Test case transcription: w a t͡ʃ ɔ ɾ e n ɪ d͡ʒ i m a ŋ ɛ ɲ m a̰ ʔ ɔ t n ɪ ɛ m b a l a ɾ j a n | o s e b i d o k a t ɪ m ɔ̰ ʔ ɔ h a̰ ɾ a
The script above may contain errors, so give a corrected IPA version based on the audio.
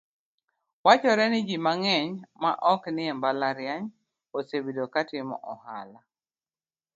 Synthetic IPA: w a t͡ʃ ɔ ɾ ɛ n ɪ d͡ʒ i m a ŋ ɛ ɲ m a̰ ʔ ɔ k n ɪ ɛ m b a l a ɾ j a ɲ | o s e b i d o k a t ɪ m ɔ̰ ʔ ɔ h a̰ l a